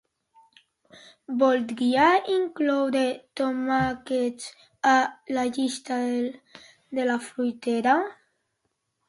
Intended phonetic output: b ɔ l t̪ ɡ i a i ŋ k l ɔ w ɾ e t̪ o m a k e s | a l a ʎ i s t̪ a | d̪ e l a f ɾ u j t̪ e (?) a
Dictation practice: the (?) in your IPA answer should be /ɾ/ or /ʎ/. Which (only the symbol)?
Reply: ɾ